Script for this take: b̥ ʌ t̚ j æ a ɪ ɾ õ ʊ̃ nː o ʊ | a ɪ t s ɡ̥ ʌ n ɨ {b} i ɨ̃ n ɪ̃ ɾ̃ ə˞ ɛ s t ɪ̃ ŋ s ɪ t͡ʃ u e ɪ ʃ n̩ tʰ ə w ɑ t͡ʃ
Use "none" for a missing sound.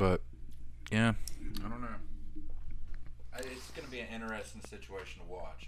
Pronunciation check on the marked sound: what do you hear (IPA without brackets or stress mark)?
b